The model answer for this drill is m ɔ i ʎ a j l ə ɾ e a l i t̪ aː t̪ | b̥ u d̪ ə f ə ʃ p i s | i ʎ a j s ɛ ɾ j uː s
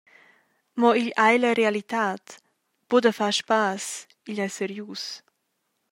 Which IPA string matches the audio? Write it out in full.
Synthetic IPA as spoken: m ɔ i ʎ a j l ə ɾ e a l i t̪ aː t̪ | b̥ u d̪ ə f a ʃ p a s | i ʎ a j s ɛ ɾ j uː s